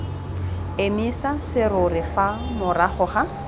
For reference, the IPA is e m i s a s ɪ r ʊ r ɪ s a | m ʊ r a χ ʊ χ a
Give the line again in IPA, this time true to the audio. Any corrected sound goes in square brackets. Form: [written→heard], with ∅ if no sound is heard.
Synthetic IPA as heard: e m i s a s ɪ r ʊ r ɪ [s→f] a | m ʊ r a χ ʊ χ a